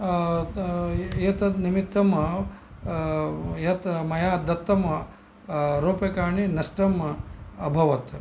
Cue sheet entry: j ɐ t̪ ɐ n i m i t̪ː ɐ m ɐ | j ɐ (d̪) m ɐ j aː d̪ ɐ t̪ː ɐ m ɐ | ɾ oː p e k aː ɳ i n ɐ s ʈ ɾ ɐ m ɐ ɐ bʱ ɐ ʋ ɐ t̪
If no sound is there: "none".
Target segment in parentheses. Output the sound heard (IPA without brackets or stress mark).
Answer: t̪